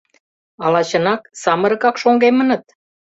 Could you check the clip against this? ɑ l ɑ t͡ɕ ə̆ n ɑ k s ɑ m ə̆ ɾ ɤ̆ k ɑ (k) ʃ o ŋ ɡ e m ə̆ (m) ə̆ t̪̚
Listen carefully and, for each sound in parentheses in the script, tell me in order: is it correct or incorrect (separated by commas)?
correct, incorrect